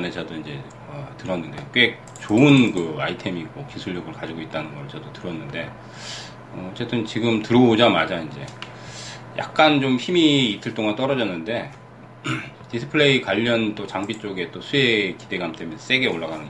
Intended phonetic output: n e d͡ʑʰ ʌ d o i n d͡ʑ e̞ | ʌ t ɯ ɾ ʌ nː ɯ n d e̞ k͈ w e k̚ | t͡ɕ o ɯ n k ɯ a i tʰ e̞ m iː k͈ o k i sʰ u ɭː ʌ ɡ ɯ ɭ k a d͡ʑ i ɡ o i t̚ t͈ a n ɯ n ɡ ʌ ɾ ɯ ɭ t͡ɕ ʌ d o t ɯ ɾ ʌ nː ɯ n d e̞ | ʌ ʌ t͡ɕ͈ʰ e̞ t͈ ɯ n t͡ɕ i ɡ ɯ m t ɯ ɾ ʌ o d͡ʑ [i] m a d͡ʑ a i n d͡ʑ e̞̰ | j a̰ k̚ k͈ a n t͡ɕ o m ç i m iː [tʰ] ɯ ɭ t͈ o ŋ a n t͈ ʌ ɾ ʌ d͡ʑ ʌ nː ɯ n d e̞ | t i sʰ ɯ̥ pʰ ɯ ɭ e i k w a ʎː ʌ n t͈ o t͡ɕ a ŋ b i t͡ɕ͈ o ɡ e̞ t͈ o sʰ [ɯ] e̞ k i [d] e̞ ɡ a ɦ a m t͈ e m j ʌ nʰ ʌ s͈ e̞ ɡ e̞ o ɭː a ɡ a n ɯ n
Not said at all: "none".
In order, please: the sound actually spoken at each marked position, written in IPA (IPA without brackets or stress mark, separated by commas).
a, tʰ, u, d